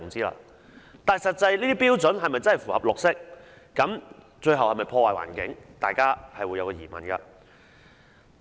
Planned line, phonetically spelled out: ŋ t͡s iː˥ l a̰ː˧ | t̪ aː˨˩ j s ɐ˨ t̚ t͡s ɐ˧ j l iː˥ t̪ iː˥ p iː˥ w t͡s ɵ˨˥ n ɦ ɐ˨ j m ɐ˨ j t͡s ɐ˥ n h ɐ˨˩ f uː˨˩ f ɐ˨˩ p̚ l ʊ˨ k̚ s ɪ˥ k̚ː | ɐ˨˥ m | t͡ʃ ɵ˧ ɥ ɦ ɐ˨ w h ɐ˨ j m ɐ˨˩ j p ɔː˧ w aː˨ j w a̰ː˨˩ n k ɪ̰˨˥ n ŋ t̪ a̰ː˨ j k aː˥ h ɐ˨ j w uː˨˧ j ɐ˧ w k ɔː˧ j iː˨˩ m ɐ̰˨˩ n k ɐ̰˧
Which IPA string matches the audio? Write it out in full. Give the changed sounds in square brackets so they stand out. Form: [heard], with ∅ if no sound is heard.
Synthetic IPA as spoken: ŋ t͡s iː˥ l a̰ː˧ | t̪ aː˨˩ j s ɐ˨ t̚ t͡s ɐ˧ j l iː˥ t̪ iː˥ p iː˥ w t͡s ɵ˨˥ n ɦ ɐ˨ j m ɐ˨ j t͡s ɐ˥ n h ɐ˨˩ f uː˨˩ [h] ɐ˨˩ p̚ l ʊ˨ k̚ s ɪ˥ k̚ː | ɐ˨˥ m | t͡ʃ ɵ˧ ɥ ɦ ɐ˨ w h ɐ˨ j m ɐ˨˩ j [pʰ] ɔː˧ w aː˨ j w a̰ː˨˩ n k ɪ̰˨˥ [∅] ŋ t̪ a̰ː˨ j k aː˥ h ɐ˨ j w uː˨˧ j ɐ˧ w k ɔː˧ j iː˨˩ m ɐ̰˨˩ n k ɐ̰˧